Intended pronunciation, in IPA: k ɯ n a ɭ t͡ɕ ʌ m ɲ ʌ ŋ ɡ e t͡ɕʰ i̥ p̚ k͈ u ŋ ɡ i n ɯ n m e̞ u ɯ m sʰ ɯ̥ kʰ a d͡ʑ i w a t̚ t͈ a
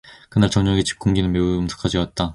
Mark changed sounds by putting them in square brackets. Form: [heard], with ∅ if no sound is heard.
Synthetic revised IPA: k ɯ n a ɭ t͡ɕ ʌ [ŋ] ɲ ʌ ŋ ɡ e [t͡ɕ] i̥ p̚ k͈ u ŋ ɡ i n ɯ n m e̞ u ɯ m sʰ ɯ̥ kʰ a d͡ʑ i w a t̚ t͈ a